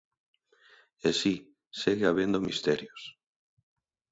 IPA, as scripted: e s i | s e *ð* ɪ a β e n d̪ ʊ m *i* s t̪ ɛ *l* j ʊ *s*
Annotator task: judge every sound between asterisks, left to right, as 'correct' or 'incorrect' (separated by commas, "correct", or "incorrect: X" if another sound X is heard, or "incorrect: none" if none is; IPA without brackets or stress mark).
incorrect: ɣ, correct, incorrect: ɾ, correct